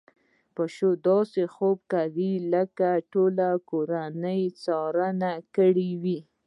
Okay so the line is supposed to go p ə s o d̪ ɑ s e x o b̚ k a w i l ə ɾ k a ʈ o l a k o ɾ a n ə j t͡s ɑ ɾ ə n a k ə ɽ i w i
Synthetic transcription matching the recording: p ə ʃ o d̪ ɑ s e x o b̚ k a w i l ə k a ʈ o l a k o ɾ a n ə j t͡s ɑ ɾ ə n a k ə ɽ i w i